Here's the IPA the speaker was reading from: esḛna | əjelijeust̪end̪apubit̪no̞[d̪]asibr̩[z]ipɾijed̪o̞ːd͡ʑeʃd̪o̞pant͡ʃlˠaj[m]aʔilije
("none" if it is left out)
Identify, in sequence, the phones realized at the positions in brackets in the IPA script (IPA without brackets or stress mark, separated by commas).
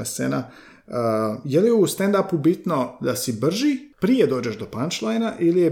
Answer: d̪, ʒ, n